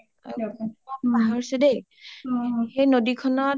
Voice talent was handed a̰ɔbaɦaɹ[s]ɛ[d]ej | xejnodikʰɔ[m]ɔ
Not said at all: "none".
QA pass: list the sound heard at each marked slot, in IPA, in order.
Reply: s, d, n

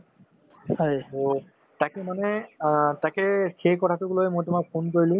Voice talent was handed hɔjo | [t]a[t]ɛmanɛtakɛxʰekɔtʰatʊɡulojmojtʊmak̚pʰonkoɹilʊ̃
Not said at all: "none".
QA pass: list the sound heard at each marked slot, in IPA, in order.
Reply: t, k

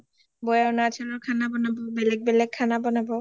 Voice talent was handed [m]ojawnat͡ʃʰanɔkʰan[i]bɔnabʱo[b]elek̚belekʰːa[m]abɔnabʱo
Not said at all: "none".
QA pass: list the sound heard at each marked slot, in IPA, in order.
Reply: b, a, b, n

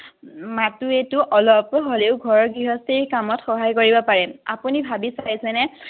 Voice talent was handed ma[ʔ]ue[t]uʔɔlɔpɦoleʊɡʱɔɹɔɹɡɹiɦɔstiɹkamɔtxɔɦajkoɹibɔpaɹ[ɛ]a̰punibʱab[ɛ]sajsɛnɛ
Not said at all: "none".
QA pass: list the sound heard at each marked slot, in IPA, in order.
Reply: t, t, ɛ, i

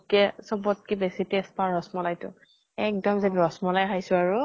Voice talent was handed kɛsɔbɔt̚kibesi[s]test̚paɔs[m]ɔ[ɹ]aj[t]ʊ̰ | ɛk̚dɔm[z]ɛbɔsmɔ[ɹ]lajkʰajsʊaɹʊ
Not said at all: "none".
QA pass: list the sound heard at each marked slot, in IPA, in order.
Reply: none, m, l, t, z, none

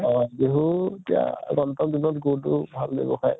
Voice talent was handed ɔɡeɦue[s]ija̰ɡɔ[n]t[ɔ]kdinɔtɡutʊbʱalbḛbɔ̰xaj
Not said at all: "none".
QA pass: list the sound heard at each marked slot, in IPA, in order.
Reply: t, n, ɔ

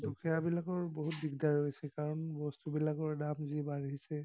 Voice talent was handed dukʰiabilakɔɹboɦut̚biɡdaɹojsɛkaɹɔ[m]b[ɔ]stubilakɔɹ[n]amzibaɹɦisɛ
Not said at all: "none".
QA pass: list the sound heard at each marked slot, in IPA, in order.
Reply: n, ɔ, d

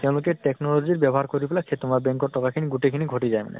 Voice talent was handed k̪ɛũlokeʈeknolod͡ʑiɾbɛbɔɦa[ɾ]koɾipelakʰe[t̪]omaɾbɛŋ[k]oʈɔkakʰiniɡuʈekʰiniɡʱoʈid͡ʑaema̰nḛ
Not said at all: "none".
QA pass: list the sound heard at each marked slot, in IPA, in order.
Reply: ɾ, t̪, k

